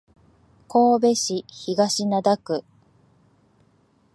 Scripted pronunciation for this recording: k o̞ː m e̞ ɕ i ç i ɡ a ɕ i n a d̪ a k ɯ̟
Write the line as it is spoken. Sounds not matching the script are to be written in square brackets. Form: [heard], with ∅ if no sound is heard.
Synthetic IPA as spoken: k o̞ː [b] e̞ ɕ i ç i ɡ a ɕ i n a d̪ a k ɯ̟